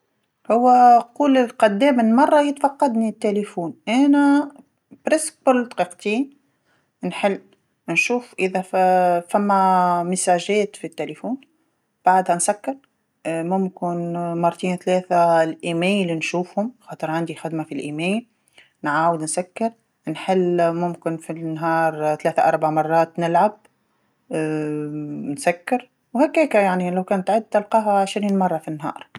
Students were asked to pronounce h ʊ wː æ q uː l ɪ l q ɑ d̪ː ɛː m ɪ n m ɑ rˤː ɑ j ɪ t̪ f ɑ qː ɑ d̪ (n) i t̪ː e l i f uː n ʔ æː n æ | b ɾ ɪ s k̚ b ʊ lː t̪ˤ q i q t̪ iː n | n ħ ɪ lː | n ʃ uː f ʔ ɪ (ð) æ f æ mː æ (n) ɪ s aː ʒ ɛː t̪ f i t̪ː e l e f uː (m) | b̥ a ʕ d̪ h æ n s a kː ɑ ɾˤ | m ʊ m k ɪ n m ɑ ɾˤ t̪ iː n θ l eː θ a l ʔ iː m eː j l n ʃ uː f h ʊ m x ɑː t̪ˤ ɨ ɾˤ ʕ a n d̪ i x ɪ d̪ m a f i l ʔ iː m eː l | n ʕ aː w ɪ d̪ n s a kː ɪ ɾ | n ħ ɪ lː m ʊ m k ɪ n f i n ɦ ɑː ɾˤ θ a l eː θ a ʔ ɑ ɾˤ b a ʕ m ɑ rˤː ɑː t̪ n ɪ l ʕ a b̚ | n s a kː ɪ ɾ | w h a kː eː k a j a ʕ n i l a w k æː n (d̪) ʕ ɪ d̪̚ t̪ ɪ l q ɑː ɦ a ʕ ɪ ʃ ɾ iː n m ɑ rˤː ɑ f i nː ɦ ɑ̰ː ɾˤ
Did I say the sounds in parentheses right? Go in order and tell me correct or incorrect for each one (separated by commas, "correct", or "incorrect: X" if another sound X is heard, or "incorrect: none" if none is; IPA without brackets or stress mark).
correct, correct, incorrect: m, incorrect: n, incorrect: t̪